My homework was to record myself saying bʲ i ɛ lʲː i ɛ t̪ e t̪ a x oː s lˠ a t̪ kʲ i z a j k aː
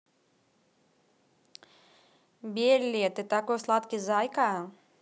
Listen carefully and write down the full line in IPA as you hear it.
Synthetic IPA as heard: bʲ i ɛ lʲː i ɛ t̪ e t̪ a k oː s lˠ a t̪ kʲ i z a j k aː